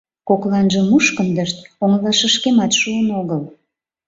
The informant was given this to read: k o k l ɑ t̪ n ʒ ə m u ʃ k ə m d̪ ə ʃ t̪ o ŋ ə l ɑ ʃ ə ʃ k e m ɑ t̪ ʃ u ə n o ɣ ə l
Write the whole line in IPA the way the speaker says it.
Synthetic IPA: k o k l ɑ n ʒ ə m u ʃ k ə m d̪ ə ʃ t̪ o ŋ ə l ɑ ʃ ə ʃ k e m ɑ t̪ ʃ u ə n o ɣ ə l